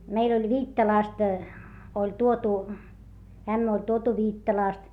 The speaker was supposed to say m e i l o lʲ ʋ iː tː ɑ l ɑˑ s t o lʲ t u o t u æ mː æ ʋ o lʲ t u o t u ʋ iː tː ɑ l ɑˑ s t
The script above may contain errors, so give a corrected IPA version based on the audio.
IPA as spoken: m e i l o lʲ ʋ iː tː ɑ l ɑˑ s t o lʲ t u o t u æ mː æ o lʲ t u o t u ʋ iː tː ɑ l ɑˑ s t